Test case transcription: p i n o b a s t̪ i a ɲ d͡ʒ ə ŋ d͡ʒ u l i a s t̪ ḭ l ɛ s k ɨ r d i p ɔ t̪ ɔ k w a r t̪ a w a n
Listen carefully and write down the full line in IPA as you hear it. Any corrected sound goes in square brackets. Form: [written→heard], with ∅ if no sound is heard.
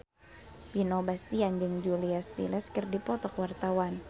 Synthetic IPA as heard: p i n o b a s t̪ i a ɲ d͡ʒ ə ŋ d͡ʒ u l i a s t̪ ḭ l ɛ s k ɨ r d i p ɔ t̪ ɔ k w a r t̪ a w a n